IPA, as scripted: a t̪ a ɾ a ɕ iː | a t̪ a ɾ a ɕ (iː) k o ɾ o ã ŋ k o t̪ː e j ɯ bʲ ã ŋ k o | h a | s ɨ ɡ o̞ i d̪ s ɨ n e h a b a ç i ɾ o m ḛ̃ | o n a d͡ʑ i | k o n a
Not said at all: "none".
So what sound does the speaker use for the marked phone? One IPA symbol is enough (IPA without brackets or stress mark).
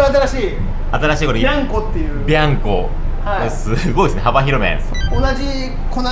iː